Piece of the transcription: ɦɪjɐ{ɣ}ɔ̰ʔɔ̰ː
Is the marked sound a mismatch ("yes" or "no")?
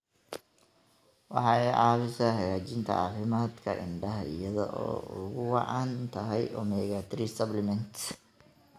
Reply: yes